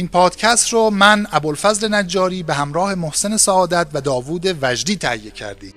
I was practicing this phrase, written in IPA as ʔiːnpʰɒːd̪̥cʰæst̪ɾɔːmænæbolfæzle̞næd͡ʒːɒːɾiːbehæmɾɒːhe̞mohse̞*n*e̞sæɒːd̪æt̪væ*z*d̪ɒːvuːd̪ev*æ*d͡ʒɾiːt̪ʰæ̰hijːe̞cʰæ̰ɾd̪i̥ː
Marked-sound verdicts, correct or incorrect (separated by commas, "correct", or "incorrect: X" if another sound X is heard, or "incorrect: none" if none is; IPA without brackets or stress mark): correct, incorrect: none, correct